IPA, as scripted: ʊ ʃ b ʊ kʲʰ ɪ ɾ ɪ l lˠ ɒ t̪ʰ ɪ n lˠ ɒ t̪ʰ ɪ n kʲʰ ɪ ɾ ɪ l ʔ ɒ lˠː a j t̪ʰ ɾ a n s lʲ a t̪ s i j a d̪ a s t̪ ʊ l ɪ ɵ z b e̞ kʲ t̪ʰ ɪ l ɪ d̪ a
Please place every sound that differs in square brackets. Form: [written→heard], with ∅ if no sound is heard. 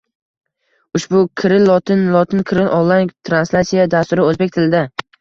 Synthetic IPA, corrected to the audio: ʊ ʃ b ʊ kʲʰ ɪ ɾ ɪ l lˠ ɒ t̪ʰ ɪ n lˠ ɒ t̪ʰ ɪ n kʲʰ ɪ ɾ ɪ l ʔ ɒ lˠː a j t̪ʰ ɾ a n s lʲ a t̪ s i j a d̪ a s t̪ ʊ [l→ɾ] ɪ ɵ z b e̞ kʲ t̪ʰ ɪ l ɪ d̪ a